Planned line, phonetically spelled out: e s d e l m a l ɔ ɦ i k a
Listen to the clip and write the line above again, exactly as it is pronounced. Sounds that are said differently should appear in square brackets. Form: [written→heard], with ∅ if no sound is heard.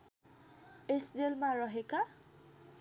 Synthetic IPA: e s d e l m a [l→ɹ] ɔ ɦ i k a